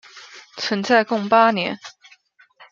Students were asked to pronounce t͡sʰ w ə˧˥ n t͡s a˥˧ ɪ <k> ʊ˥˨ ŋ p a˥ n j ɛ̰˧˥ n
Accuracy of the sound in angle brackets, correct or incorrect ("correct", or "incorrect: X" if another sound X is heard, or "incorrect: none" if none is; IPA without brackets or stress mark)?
correct